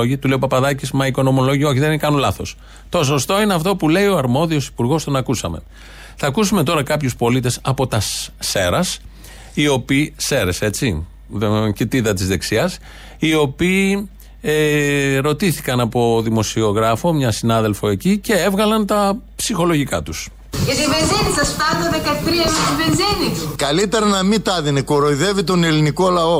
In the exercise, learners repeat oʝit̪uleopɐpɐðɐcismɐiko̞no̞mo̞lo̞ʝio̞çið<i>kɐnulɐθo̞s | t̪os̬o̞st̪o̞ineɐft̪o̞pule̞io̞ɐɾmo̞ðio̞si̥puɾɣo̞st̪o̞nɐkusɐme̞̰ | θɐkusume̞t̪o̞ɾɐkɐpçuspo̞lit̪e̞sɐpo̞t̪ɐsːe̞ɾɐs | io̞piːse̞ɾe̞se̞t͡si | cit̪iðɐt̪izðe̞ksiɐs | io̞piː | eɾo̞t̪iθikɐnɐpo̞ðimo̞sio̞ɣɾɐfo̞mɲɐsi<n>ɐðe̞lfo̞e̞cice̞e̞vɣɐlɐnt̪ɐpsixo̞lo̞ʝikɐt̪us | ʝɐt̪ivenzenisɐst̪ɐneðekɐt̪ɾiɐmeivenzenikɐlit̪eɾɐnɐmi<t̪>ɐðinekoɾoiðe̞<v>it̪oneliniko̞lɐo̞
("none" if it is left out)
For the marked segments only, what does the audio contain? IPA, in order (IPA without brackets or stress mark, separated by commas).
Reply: e, n, t̪, v